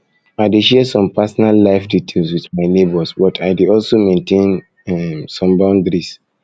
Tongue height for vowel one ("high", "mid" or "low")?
low